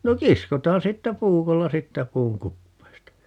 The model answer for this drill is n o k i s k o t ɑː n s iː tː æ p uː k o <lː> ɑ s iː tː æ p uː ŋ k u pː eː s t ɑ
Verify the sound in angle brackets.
correct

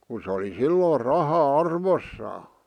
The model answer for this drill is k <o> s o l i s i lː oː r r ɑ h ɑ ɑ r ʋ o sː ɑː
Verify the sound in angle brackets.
incorrect: u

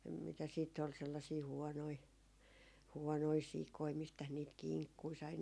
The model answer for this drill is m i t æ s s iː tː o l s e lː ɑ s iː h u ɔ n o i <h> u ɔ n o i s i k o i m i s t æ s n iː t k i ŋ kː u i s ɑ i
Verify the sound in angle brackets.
correct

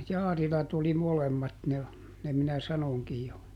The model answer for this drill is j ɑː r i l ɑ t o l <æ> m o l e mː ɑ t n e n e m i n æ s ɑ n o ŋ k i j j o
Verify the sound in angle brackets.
incorrect: i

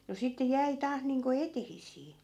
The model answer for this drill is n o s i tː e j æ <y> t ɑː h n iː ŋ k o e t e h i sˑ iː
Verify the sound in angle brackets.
incorrect: i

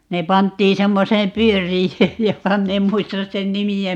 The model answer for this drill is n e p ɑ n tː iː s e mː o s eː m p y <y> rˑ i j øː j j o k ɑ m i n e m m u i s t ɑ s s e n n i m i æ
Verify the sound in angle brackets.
incorrect: ø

